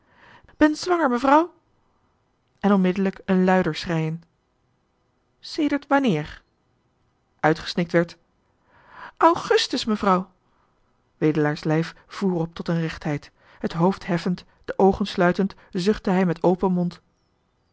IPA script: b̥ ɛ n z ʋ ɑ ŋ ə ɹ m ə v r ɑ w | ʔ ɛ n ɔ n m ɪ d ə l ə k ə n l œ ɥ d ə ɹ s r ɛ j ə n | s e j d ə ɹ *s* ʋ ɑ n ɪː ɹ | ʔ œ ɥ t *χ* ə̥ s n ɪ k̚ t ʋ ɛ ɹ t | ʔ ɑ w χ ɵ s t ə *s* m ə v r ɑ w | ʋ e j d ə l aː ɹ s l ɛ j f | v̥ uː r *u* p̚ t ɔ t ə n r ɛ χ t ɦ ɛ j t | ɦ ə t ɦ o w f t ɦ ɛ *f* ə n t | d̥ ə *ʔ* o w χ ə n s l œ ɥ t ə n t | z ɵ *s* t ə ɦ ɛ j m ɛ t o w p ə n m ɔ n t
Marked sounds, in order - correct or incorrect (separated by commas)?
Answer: incorrect, correct, correct, incorrect, correct, correct, incorrect